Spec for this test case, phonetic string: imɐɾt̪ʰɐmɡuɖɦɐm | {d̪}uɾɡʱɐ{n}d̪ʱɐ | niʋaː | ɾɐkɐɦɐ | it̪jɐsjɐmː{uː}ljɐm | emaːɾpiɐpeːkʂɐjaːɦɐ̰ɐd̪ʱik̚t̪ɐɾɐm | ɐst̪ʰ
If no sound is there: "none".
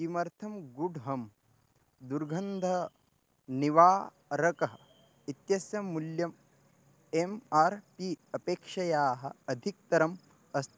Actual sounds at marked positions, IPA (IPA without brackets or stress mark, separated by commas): d̪, n, u